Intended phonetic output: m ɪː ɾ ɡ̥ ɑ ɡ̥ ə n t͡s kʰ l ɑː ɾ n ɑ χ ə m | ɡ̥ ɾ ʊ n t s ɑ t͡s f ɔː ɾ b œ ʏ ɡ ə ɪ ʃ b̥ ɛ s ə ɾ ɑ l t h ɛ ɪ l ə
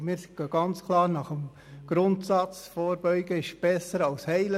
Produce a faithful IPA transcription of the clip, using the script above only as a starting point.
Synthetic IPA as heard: m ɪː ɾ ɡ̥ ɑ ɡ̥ ɑ n t͡s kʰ l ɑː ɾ n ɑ χ ə m | ɡ̥ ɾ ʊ n t s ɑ t͡s f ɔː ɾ b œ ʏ ɡ ə ɪ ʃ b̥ ɛ s ə ɾ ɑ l s h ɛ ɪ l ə